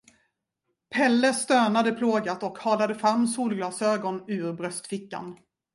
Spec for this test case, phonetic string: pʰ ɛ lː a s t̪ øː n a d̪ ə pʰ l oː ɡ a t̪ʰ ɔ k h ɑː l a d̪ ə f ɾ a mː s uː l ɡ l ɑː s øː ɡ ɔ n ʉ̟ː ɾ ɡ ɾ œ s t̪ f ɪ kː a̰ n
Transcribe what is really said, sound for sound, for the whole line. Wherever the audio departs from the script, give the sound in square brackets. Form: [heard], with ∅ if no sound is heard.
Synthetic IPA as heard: pʰ ɛ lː [ə] s t̪ øː n a d̪ ə pʰ l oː ɡ a [t̪] ɔ k h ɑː l a d̪ ə f ɾ a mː s uː l ɡ l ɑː s øː ɡ ɔ n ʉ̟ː ɾ [b] ɾ œ s t̪ f ɪ kː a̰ n